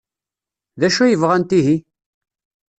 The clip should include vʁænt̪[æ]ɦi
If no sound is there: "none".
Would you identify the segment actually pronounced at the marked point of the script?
i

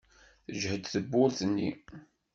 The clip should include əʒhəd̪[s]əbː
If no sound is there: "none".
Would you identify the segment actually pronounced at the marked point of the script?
θ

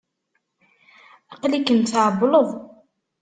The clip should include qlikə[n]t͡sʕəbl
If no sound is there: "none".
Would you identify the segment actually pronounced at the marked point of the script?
n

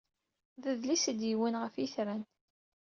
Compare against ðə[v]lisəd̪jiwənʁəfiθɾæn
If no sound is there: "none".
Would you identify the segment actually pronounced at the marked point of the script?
ð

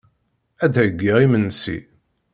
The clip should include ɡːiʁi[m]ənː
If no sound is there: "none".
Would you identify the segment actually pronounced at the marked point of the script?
m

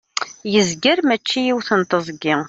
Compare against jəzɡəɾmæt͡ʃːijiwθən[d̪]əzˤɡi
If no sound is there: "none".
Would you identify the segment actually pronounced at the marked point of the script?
t̪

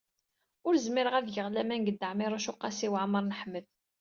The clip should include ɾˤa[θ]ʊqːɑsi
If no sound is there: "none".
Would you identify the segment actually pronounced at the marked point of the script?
ʃ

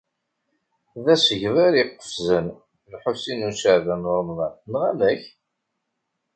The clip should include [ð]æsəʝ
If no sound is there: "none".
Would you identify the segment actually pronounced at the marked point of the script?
ð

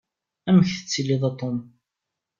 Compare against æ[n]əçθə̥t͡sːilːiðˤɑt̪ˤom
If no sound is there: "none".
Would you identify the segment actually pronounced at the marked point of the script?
m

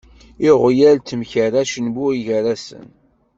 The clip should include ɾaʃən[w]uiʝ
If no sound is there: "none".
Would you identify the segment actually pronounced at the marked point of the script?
b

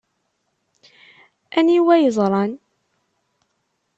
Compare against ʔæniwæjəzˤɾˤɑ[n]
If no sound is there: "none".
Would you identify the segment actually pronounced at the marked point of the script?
n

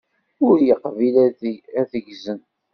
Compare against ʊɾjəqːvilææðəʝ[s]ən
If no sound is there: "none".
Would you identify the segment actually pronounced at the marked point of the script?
z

